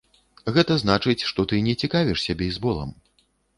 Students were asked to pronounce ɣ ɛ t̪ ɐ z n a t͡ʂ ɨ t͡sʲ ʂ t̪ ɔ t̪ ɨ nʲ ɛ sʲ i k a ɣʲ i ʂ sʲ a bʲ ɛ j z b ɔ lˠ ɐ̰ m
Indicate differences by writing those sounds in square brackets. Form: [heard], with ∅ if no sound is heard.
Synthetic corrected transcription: ɣ ɛ t̪ ɐ z n a t͡ʂ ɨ t͡sʲ ʂ t̪ ɔ t̪ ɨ nʲ ɛ [t͡sʲ] i k a [vʲ] i ʂ sʲ a bʲ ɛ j z b ɔ lˠ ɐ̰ m